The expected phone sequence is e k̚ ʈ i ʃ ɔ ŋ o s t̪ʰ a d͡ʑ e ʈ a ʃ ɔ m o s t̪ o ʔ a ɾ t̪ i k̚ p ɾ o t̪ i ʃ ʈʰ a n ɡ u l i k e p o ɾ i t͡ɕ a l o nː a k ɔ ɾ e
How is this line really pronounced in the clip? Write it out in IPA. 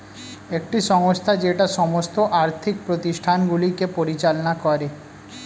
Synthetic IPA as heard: e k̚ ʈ i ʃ ɔ ŋ o s t̪ʰ a d͡ʑ e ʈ a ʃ ɔ m o s t̪ o ʔ a ɾ t̪ʰ i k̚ p ɾ o t̪ i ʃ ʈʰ a n ɡ u l i k e p o ɾ i t͡ɕ a l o n a k ɔ ɾ e